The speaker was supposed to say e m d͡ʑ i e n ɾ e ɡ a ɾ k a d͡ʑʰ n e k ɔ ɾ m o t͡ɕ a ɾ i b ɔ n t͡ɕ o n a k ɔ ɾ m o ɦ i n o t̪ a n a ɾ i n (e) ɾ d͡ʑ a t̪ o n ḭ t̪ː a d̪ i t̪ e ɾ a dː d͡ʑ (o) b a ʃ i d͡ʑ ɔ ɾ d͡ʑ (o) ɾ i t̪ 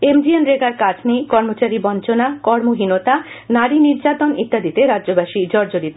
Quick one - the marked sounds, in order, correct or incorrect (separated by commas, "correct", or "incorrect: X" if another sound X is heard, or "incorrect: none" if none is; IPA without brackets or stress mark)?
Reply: incorrect: i, correct, correct